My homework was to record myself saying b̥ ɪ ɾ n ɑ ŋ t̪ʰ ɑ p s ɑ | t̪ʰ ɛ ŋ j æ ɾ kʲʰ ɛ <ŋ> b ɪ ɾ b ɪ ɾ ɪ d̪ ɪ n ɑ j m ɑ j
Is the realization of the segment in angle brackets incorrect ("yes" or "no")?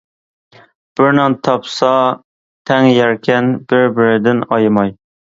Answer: yes